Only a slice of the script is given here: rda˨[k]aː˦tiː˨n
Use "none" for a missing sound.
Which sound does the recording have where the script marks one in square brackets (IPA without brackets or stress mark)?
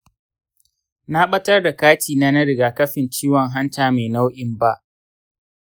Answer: k